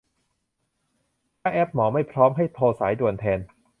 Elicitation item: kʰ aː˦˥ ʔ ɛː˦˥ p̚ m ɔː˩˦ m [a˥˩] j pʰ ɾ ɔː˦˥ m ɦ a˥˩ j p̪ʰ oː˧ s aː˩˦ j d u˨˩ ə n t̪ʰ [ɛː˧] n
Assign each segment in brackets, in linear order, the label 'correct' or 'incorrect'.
correct, correct

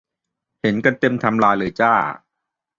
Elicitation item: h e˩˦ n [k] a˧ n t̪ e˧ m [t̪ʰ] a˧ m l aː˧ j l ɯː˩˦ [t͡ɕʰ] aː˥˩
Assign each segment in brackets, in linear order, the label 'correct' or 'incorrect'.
correct, correct, incorrect

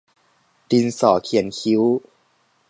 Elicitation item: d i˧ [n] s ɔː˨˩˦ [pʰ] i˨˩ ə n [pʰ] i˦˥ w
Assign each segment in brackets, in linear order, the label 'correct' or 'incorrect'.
correct, incorrect, incorrect

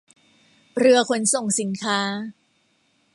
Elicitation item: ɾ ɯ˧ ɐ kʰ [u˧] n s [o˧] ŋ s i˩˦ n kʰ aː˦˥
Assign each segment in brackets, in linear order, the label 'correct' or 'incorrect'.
incorrect, incorrect

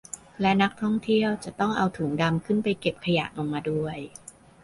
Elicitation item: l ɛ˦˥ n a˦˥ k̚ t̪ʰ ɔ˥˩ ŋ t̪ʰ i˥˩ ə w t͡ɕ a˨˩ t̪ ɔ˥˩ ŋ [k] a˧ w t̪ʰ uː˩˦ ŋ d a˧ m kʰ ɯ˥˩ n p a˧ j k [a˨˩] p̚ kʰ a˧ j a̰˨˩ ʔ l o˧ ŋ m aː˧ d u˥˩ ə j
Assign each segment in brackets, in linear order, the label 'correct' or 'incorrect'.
incorrect, incorrect

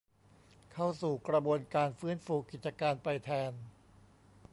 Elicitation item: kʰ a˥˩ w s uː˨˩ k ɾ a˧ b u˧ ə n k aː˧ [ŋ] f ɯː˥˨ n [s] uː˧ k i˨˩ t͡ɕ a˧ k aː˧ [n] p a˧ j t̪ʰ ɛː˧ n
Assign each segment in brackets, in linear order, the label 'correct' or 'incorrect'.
incorrect, incorrect, correct

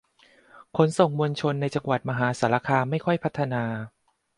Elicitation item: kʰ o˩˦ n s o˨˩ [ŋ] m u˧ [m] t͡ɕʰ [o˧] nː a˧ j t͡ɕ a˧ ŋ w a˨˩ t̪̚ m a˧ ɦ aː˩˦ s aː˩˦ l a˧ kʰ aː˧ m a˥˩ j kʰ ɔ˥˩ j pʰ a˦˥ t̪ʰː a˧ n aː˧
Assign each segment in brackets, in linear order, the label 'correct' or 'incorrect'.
correct, incorrect, correct

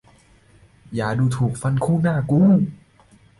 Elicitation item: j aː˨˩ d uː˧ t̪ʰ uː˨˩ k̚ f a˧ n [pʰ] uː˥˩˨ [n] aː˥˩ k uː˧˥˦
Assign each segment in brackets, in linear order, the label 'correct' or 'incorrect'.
incorrect, correct

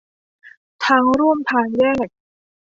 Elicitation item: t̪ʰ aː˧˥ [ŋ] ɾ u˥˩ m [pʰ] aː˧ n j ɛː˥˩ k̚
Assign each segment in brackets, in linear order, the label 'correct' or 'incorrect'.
correct, correct

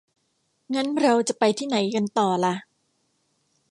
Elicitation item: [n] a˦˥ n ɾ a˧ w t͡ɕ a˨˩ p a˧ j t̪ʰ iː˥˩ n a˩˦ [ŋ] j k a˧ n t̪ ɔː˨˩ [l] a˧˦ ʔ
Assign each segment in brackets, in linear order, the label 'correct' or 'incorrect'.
incorrect, incorrect, correct

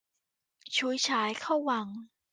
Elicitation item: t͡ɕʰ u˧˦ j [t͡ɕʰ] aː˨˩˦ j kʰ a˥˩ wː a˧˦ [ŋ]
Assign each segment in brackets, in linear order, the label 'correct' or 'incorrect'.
correct, correct

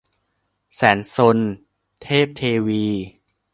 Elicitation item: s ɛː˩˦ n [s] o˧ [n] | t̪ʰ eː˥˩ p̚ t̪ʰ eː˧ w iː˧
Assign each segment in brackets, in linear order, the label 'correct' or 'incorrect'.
correct, correct

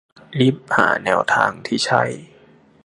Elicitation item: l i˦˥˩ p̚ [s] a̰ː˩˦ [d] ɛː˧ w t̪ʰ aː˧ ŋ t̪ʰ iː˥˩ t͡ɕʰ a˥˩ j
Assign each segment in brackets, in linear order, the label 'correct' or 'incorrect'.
incorrect, incorrect

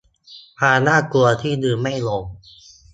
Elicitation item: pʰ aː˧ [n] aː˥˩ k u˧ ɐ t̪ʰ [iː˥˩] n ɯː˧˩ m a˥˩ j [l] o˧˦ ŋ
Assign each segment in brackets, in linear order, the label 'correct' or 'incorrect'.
correct, correct, correct

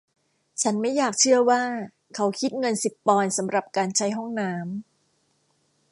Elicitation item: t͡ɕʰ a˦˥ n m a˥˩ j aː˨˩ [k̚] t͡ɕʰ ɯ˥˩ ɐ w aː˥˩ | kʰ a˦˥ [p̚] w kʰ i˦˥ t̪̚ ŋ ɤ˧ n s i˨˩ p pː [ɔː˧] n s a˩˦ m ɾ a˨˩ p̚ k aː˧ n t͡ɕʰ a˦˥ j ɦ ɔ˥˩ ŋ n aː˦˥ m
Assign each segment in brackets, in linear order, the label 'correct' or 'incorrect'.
correct, incorrect, correct

